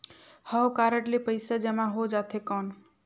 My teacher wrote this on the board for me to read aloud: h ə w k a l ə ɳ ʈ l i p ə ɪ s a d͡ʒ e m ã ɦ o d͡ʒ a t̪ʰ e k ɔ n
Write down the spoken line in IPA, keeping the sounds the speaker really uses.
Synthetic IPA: h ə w k a ɾ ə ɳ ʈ l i p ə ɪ s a d͡ʒ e m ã ɦ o d͡ʒ a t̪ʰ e k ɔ n